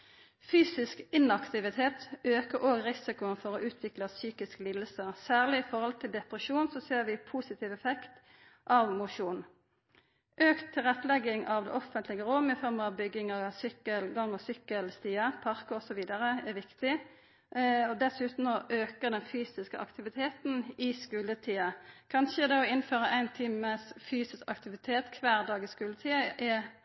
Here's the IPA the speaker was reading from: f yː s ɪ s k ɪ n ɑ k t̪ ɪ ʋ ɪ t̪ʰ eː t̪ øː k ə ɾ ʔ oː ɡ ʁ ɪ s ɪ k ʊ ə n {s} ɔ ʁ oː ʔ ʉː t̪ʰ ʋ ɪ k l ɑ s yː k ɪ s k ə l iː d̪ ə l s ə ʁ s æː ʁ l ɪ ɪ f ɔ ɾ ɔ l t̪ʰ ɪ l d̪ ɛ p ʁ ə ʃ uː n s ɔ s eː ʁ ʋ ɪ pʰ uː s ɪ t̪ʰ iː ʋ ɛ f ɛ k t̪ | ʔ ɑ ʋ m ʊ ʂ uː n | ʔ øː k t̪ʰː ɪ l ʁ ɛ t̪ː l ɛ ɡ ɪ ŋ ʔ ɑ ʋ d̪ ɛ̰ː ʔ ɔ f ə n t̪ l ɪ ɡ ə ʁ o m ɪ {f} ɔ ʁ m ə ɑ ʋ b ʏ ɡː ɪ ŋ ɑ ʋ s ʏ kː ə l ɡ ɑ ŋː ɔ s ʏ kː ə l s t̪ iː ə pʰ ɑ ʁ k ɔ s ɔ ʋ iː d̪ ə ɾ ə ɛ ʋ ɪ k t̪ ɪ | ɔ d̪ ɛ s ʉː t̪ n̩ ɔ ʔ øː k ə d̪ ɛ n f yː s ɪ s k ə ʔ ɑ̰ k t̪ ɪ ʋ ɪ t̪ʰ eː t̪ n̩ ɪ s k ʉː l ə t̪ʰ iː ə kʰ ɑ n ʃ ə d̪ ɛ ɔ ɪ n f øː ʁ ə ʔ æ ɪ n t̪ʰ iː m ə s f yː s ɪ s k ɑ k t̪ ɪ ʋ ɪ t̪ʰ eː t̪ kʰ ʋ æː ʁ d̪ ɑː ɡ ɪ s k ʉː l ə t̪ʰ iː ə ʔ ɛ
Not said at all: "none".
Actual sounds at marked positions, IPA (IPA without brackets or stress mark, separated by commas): f, f